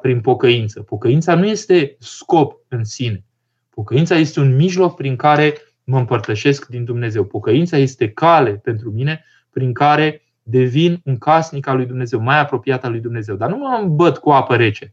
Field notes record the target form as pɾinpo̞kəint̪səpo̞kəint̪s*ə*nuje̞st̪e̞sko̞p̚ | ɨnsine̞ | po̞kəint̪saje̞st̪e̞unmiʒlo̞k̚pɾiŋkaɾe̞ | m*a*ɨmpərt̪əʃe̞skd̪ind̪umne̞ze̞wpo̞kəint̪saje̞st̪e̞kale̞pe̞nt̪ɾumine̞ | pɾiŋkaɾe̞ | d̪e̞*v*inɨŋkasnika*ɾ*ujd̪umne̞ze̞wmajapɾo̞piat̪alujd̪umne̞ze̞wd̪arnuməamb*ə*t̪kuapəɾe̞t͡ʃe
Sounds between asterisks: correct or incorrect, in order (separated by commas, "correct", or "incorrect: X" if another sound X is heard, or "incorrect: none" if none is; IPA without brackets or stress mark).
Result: incorrect: a, incorrect: ə, correct, incorrect: l, correct